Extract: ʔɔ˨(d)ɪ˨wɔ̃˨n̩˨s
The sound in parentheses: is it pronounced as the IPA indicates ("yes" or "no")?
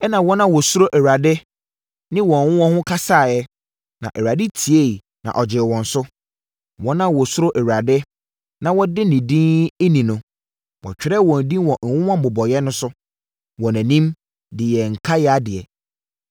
no